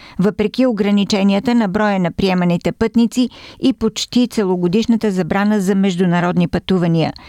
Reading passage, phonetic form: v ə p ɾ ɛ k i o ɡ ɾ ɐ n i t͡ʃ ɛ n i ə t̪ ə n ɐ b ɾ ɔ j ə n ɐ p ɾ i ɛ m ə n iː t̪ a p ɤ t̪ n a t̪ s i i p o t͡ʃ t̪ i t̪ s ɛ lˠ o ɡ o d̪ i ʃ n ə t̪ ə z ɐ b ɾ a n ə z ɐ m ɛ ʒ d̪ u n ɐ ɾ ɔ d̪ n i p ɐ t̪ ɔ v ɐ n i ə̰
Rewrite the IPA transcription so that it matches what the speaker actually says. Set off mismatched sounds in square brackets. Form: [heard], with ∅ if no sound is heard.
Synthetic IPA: v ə p ɾ ɛ k i o ɡ ɾ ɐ n i t͡ʃ ɛ n i ə t̪ ə n ɐ b ɾ ɔ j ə n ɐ p ɾ i ɛ m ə n [i] t̪ [ɛ] p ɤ t̪ n [i] t̪ s i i p o t͡ʃ t̪ i t̪ s ɛ lˠ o ɡ o d̪ i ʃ n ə t̪ ə z ɐ b ɾ a n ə z ɐ m ɛ ʒ d̪ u n ɐ ɾ ɔ d̪ n i p ɐ t̪ [u] v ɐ n i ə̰